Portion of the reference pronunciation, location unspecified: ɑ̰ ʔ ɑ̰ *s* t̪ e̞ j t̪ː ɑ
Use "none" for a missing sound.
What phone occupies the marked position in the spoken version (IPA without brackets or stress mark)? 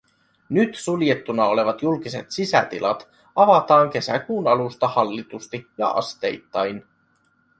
s